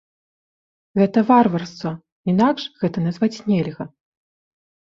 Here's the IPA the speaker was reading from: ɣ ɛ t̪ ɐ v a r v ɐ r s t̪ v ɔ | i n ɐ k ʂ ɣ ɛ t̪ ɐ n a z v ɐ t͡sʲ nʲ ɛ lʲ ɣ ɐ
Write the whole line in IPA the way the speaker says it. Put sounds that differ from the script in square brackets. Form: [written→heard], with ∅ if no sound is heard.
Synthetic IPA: ɣ ɛ t̪ ɐ v a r v ɐ r s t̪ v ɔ | i n [ɐ→a] k ʂ ɣ ɛ t̪ ɐ n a z v [ɐ→a] t͡sʲ nʲ ɛ lʲ ɣ ɐ

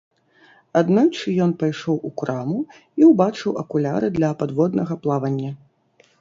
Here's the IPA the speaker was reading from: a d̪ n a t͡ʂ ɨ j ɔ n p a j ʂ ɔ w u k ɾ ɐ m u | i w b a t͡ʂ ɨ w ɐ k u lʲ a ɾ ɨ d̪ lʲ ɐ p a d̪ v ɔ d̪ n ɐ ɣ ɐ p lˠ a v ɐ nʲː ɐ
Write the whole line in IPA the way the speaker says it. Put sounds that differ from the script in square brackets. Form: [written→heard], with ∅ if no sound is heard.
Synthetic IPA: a d̪ n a t͡ʂ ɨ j ɔ n p a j ʂ ɔ w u k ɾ [ɐ→a] m u | i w b a t͡ʂ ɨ w ɐ k u lʲ a ɾ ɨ d̪ lʲ ɐ p a d̪ v ɔ d̪ n ɐ ɣ ɐ p lˠ a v ɐ nʲː ɐ

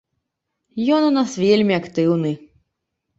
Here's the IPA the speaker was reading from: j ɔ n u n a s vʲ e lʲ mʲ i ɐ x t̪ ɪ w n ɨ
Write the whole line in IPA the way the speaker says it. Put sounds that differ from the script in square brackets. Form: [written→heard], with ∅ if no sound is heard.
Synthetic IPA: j ɔ n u n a s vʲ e lʲ mʲ i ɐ [x→k] t̪ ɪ w n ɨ

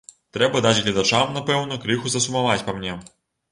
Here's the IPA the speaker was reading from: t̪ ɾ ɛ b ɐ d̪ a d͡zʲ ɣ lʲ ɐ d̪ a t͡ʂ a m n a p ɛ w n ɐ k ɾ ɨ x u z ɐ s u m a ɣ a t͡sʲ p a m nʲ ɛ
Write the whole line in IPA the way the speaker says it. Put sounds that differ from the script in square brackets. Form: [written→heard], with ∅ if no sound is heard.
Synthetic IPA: t̪ ɾ ɛ b ɐ d̪ a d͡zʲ ɣ lʲ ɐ d̪ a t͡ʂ a m n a p ɛ w n ɐ k ɾ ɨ x u z ɐ s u m a [ɣ→v] a t͡sʲ p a m nʲ ɛ

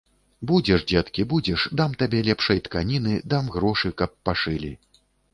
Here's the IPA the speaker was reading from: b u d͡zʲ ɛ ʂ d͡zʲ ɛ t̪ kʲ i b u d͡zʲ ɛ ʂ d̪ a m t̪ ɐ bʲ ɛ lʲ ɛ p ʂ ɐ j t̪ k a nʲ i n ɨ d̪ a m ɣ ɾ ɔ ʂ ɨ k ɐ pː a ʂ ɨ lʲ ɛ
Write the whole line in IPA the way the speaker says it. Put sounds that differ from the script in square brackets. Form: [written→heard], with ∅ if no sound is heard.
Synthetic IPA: b u d͡zʲ ɛ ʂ d͡zʲ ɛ t̪ kʲ i b u d͡zʲ ɛ ʂ d̪ a m t̪ [ɐ→a] bʲ ɛ lʲ ɛ p ʂ ɐ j t̪ k a nʲ i n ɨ d̪ a m ɣ ɾ ɔ ʂ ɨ k ɐ pː a ʂ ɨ lʲ [ɛ→i]

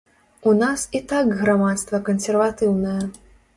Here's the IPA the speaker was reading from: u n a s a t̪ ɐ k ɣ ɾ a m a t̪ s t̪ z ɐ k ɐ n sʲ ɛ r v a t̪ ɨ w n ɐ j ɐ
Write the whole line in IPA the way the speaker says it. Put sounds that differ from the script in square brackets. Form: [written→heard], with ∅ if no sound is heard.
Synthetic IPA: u n a s [a→i] t̪ [ɐ→a] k ɣ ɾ a m a t̪ s t̪ [z→v] ɐ k ɐ n sʲ ɛ r v a t̪ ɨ w n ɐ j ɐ

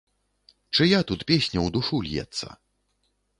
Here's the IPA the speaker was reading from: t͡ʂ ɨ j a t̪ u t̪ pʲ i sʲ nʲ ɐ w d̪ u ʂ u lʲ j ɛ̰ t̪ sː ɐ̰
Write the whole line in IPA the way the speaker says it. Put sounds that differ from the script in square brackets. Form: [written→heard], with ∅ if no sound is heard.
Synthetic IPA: t͡ʂ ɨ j a t̪ u t̪ pʲ [i→e] sʲ nʲ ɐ w d̪ u ʂ u lʲ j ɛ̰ t̪ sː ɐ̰

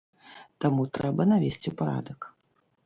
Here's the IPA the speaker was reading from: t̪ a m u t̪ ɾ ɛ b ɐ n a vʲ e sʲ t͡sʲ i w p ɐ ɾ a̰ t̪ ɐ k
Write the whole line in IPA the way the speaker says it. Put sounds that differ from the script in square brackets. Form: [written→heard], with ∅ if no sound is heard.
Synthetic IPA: t̪ a m u t̪ ɾ ɛ b ɐ n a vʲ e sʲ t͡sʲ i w p [ɐ→a] ɾ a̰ [t̪→d̪] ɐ k

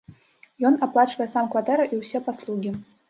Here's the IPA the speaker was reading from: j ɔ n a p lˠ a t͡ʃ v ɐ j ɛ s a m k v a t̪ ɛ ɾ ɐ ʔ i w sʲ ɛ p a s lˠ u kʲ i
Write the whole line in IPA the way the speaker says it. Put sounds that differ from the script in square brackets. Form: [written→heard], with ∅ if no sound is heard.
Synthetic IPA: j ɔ n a p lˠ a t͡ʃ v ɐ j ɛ s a m k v a t̪ ɛ ɾ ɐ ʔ i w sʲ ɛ p a s lˠ u [kʲ→ɡʲ] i

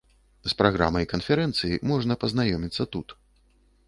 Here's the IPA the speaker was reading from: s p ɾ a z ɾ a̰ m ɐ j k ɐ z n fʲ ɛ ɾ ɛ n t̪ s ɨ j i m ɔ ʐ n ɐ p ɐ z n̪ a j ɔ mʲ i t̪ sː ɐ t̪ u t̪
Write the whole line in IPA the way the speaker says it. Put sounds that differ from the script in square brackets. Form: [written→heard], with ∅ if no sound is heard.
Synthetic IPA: s p ɾ a [z→ɣ] ɾ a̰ m ɐ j k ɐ [z→∅] n fʲ ɛ ɾ ɛ n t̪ s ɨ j i m ɔ ʐ n ɐ p ɐ z n̪ a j ɔ mʲ i t̪ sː ɐ t̪ u t̪

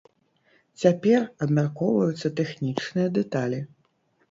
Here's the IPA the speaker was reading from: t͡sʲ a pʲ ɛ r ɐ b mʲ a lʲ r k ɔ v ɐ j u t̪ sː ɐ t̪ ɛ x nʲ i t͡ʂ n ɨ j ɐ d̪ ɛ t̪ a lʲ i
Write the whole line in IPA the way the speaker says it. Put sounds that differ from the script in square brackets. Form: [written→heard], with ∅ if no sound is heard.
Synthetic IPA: t͡sʲ a pʲ ɛ r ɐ b mʲ a [lʲ→∅] r k ɔ v ɐ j u t̪ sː ɐ t̪ ɛ x nʲ i t͡ʂ n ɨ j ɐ d̪ ɛ t̪ a lʲ i

